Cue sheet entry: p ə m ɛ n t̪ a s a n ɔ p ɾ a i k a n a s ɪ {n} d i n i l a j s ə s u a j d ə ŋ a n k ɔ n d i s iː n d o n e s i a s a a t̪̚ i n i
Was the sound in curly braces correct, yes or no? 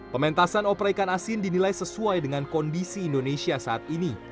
yes